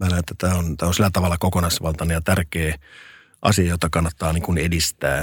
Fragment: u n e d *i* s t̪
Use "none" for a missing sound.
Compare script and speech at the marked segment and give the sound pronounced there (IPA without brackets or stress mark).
i